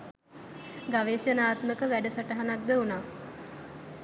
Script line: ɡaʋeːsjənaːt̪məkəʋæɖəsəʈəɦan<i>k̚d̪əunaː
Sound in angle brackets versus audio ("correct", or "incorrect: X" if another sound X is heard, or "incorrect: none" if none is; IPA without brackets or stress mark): incorrect: a